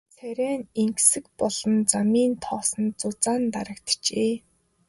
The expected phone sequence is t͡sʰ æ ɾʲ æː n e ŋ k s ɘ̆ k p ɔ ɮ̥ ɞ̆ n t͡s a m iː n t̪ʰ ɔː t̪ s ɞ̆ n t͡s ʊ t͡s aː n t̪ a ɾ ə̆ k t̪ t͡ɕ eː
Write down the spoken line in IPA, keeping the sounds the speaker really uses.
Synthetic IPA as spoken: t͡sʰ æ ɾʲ æː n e ŋ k s ɘ̆ k p ɔ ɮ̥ ɞ̆ n t͡s a m iː n t̪ʰ ɔː s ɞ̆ n t͡s ʊ t͡s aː n t̪ a ɾ ə̆ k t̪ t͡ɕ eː